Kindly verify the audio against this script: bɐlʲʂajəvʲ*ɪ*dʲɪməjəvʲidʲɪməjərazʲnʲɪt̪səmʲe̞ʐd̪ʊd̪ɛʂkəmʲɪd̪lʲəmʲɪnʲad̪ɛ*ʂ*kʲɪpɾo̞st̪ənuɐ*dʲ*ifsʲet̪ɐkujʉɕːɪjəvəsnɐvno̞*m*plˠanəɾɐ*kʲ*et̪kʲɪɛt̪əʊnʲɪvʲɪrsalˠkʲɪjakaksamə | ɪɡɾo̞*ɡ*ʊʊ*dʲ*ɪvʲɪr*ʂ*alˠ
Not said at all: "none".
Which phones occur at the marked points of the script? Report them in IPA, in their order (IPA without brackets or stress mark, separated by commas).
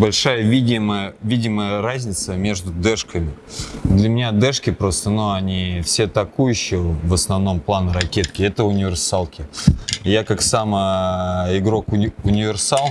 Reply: i, ʂ, nʲ, m, kʲ, k, nʲ, s